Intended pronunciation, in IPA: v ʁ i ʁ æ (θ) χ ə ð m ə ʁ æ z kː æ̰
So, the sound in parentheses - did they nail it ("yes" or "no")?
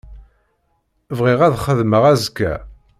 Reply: no